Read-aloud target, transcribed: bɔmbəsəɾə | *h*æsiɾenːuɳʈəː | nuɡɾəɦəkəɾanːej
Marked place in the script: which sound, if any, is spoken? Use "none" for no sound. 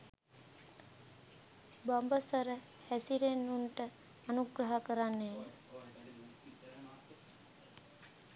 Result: h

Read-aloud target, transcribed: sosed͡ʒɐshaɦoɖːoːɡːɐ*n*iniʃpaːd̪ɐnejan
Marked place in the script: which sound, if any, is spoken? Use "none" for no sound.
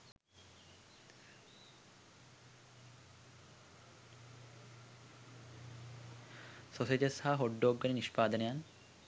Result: n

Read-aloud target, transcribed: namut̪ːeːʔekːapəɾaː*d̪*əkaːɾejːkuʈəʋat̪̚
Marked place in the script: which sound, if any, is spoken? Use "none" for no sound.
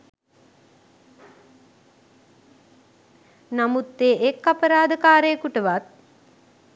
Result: d̪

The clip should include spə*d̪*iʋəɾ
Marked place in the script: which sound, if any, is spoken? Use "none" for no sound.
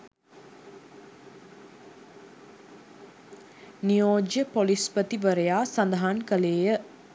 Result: t̪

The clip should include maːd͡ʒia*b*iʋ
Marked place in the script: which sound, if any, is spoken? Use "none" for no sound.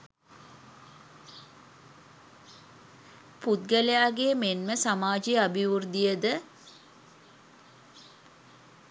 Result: b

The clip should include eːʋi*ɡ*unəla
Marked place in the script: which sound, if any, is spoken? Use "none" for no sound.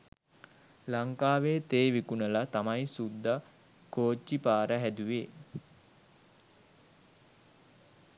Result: k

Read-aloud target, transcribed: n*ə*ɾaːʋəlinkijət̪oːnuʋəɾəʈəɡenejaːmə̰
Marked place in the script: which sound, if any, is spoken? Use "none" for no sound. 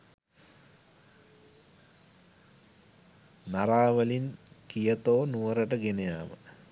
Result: a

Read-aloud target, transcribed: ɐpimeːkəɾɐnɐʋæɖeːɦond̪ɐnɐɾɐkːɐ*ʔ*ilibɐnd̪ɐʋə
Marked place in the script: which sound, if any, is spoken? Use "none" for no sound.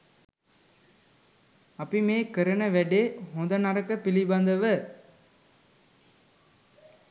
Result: p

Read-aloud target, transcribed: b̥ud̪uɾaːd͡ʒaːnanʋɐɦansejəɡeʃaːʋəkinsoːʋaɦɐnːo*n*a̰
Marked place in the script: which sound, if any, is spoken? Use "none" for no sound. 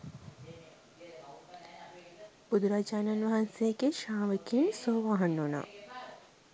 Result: n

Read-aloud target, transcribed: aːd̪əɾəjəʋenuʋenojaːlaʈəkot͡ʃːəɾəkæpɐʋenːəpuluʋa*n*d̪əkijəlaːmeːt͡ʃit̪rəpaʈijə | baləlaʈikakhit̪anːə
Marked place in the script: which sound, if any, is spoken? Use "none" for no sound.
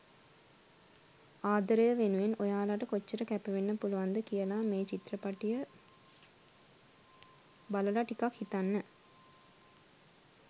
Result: n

